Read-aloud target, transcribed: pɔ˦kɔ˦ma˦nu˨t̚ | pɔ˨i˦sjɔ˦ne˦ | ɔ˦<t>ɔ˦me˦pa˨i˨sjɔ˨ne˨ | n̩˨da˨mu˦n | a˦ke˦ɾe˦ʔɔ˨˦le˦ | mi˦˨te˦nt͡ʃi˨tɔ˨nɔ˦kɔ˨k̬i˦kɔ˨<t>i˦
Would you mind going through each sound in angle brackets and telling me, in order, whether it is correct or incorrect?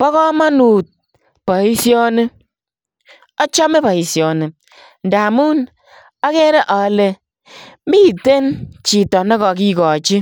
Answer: incorrect: t͡ʃ, incorrect: t͡ʃ

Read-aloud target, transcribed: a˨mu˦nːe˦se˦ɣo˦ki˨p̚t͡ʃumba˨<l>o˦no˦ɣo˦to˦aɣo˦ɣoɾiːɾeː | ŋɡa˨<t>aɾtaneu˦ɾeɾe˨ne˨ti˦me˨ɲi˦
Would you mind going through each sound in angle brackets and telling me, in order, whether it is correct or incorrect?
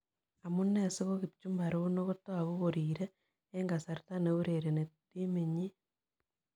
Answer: incorrect: ɾ, incorrect: s

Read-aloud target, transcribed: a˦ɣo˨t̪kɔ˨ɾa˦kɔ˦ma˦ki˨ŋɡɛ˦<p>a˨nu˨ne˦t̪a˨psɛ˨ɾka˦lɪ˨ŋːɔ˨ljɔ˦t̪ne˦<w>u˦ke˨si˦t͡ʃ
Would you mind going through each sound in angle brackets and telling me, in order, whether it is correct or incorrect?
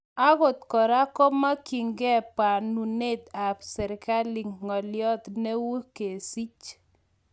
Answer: correct, correct

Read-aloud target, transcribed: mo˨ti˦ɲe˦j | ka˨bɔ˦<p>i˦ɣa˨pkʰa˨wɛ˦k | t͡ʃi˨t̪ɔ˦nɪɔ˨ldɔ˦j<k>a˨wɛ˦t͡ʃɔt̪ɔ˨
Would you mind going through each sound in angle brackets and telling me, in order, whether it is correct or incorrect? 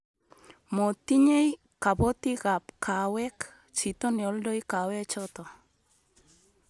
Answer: incorrect: t, correct

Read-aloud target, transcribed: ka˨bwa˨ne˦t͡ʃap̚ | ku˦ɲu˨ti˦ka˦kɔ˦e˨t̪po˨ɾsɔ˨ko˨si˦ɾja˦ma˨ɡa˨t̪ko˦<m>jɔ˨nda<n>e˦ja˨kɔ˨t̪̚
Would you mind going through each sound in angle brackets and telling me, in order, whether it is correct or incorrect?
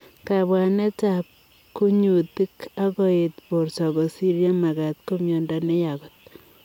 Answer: correct, correct

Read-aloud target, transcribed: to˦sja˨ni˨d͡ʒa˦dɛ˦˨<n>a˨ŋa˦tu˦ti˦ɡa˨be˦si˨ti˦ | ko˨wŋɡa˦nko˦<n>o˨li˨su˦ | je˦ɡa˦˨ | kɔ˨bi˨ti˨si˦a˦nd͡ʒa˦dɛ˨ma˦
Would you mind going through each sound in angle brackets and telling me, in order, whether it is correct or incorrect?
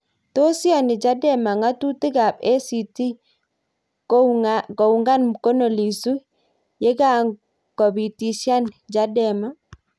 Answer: incorrect: m, correct

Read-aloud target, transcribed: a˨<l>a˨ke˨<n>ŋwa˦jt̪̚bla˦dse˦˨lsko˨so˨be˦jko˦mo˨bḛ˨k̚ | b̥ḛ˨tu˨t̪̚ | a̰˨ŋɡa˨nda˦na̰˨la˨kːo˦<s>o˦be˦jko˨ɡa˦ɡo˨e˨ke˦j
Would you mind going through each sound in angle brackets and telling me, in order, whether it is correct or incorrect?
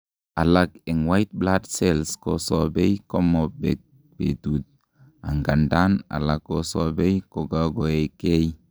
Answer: correct, incorrect: none, correct

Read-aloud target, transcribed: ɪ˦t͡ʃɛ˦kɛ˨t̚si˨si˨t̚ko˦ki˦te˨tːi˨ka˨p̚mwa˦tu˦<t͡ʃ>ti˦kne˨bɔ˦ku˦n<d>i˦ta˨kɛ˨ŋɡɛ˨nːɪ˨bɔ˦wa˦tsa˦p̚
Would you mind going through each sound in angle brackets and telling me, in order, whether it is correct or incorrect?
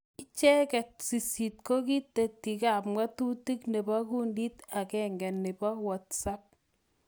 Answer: incorrect: none, correct

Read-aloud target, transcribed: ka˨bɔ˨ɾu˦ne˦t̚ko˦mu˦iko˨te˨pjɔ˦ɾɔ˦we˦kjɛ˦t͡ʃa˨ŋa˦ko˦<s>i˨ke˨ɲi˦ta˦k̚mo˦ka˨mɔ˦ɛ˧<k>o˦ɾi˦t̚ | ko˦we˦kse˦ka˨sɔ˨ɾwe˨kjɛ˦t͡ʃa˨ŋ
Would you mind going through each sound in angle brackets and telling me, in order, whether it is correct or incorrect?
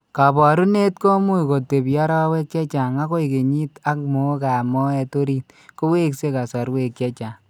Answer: incorrect: none, incorrect: t

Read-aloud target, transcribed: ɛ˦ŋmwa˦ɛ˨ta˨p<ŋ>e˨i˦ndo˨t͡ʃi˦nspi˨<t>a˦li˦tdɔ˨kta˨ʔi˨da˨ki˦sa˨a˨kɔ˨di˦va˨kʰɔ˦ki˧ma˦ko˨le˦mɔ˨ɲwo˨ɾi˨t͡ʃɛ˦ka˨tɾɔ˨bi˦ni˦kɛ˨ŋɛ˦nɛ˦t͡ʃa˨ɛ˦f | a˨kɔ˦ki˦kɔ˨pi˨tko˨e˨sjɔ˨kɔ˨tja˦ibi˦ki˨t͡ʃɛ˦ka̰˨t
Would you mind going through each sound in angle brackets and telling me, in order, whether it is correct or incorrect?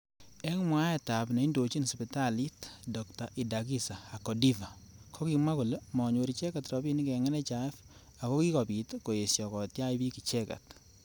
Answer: incorrect: n, correct

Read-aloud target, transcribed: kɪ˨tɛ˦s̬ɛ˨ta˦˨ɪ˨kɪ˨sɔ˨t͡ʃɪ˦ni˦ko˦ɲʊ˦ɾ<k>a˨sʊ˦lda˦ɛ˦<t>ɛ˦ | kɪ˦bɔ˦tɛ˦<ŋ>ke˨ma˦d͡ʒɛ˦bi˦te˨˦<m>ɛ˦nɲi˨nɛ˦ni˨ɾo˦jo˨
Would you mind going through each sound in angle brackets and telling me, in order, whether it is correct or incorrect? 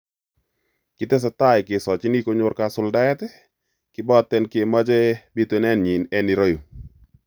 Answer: correct, correct, incorrect: n, incorrect: n

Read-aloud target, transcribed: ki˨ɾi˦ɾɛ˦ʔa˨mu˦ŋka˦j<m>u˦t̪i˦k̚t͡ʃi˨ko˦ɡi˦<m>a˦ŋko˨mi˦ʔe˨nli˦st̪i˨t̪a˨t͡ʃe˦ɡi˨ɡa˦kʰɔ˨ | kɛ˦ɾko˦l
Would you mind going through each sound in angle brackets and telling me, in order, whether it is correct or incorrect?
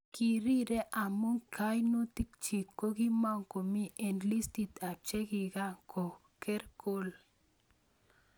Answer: incorrect: n, correct

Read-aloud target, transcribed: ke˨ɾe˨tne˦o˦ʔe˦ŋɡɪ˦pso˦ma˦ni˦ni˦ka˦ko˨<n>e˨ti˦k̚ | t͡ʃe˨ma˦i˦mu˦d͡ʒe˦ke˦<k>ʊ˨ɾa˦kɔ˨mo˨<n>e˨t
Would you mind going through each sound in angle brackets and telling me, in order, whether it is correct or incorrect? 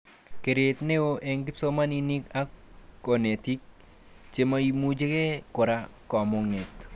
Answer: correct, correct, incorrect: ŋ

